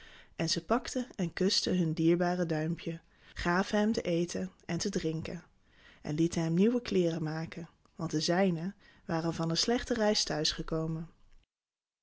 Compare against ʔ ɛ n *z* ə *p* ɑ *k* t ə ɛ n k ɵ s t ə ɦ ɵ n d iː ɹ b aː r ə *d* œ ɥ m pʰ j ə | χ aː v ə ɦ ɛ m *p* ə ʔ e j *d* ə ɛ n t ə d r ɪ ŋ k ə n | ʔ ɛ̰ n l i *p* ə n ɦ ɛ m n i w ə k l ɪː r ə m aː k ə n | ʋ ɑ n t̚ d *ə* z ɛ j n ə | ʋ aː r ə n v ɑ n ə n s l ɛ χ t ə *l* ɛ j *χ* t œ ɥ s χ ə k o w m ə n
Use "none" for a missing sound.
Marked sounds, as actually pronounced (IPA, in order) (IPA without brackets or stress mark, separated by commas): z, p, k, d, t, t, t, ə, r, s